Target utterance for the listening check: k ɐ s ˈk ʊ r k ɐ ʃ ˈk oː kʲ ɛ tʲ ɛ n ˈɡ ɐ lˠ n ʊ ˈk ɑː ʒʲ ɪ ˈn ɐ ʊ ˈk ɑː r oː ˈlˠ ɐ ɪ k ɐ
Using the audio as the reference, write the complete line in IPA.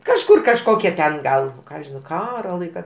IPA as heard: k ɐ ʃ ˈk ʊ r k ɐ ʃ ˈk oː kʲ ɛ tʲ ɛ n ˈɡ ɐ lˠ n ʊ ˈk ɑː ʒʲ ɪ ˈn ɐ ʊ ˈk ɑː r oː ˈlˠ ɐ ɪ k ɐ